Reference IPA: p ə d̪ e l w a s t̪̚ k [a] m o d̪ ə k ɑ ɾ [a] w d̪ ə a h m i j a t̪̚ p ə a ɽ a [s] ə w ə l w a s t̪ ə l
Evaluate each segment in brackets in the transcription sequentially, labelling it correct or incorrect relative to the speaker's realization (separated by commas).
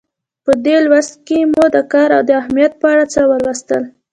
incorrect, correct, incorrect